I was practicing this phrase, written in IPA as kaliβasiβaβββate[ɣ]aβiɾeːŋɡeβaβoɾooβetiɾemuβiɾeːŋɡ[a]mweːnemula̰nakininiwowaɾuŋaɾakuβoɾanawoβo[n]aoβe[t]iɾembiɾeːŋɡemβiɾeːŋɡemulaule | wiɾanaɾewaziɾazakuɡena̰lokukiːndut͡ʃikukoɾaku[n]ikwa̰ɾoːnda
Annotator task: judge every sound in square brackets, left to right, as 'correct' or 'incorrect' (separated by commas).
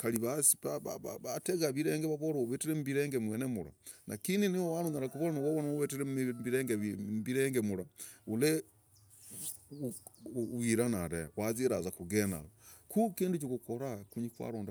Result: correct, incorrect, correct, correct, incorrect